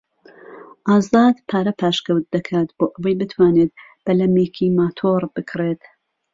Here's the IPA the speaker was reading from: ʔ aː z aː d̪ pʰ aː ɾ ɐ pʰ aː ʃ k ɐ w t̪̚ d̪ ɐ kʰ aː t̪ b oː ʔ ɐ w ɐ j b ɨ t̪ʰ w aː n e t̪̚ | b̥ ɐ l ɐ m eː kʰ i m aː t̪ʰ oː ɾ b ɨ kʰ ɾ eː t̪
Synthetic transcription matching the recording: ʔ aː z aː d̪ pʰ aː ɾ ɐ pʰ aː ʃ k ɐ w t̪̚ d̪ ɐ kʰ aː t̪ b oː ʔ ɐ w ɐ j b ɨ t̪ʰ w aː n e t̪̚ | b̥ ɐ l ɐ m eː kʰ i m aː t̪ʰ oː ɾ b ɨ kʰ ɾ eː t̪